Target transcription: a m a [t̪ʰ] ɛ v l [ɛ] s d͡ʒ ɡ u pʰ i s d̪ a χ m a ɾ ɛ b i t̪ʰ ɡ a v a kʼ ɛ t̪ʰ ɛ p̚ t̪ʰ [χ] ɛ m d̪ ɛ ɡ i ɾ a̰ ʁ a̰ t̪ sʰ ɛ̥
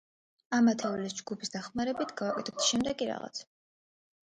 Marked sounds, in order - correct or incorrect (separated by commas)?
correct, incorrect, incorrect